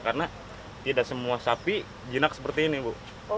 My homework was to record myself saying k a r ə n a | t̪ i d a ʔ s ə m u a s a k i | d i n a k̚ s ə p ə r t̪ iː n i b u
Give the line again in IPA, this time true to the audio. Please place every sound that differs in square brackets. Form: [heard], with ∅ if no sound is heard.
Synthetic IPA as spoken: k a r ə n a | t̪ i d a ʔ s ə m u a s a [p] i | [d͡ʒ] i n a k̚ s ə p ə r t̪ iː n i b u